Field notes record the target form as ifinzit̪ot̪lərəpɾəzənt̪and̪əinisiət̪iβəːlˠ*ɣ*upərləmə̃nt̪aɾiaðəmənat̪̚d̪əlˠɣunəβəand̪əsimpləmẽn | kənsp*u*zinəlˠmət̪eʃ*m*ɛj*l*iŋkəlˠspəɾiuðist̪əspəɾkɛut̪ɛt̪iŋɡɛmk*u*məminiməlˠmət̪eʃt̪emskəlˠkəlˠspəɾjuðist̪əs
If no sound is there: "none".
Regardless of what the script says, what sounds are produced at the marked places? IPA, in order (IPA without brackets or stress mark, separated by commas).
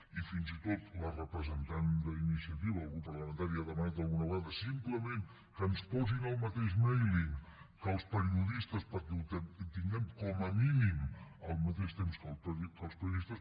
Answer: ɣ, ɔ, m, l, ɔ